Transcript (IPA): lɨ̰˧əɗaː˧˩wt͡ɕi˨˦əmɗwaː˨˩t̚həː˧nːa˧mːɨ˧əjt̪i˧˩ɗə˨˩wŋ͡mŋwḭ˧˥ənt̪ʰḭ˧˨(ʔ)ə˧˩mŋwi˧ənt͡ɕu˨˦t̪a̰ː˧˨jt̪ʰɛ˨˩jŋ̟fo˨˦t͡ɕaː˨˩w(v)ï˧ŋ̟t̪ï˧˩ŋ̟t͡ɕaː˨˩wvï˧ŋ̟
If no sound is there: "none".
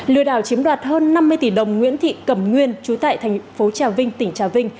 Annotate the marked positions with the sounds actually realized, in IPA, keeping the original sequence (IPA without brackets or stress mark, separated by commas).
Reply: k, v